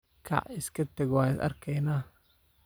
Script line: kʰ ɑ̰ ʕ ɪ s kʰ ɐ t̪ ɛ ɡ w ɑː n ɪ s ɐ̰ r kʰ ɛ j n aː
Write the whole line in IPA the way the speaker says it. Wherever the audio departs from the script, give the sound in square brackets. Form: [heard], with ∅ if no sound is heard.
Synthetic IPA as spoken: kʰ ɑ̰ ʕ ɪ s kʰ ɐ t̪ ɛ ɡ w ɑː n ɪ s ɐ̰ r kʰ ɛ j n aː